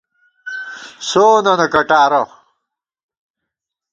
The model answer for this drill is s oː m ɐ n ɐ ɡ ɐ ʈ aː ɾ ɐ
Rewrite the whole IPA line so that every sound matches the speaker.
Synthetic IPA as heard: s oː n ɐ n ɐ k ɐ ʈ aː ɾ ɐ